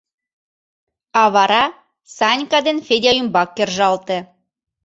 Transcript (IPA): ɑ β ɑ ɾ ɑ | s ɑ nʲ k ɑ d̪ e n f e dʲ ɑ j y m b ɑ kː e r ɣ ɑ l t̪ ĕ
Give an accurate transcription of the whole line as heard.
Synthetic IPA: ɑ β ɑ ɾ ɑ | s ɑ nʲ k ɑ d̪ e n f e dʲ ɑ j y m b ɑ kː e r ʒ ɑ l t̪ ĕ